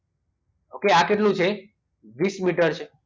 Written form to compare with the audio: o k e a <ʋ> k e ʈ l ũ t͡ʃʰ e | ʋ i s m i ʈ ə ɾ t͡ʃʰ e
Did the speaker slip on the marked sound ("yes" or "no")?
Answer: yes